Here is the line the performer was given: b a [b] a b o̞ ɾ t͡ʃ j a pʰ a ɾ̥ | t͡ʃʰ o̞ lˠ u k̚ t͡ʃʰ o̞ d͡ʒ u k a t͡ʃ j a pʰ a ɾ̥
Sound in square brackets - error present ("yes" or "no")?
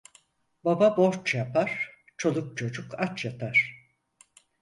no